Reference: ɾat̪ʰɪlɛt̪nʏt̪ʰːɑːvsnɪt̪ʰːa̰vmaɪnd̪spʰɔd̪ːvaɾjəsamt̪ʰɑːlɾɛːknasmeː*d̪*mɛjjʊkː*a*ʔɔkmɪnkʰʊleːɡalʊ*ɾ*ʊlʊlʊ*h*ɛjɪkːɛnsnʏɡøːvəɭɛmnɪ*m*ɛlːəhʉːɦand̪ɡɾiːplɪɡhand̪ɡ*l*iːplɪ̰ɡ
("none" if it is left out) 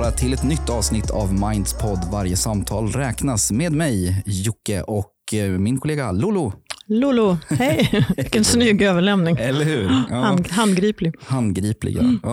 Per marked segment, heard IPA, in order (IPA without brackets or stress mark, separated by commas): d̪, ə, l, h, ŋ, ɾ